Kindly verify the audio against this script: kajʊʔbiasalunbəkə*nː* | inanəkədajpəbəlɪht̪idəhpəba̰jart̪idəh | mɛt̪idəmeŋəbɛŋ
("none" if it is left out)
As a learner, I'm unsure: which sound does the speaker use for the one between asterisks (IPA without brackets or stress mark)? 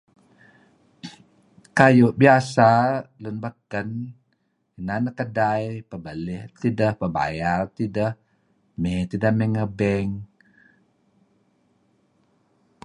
n